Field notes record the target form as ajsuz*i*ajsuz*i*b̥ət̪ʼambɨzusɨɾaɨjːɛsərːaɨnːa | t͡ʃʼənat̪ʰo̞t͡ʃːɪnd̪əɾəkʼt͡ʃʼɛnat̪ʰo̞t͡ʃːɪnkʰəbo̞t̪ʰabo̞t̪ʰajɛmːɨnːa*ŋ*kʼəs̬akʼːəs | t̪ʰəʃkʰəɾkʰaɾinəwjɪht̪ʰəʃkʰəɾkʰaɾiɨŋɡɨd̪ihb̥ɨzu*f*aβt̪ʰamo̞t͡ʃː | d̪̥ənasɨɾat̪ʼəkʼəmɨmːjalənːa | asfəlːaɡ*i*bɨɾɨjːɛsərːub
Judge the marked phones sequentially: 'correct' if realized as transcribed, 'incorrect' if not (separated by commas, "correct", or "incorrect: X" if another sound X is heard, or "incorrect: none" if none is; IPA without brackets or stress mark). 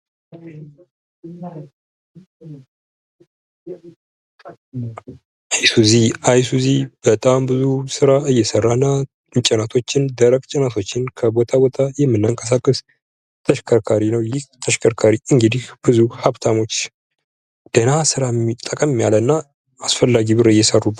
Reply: correct, correct, correct, incorrect: h, correct